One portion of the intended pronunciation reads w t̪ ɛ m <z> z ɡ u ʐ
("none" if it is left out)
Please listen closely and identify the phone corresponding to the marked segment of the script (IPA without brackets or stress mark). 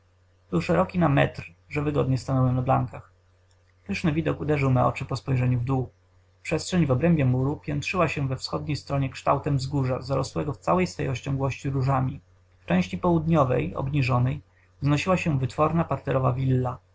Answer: v